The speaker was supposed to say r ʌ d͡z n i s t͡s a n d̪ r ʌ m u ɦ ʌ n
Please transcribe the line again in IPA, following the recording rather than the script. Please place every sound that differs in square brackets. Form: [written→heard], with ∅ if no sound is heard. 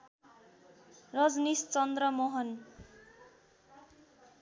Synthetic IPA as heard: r ʌ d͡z n i s t͡s [a→ʌ] n d̪ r ʌ m [u→o] ɦ ʌ n

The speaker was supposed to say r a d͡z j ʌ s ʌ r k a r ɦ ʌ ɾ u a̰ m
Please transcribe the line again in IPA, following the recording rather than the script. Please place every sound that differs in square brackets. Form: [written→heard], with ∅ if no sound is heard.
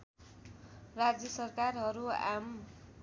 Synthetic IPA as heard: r a d͡z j ʌ s ʌ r k a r ɦ ʌ ɾ u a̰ m

